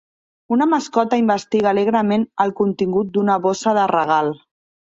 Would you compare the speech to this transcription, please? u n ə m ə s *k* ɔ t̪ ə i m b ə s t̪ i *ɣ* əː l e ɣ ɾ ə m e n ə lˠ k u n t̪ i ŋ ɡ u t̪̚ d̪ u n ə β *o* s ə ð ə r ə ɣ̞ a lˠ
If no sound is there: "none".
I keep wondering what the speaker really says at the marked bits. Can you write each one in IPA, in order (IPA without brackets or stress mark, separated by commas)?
k, ɣ, o